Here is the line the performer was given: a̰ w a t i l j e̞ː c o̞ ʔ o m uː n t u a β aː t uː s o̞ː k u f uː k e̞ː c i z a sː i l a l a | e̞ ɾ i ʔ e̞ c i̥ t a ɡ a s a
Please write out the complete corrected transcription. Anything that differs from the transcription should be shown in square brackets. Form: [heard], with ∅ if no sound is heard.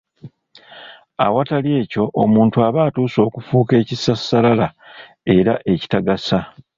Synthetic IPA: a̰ w a t [a] l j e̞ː c o̞ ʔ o m uː n t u a β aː t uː s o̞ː k u f uː k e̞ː c i [s] a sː [a] l a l a | e̞ ɾ [a] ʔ e̞ c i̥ t a ɡ a s a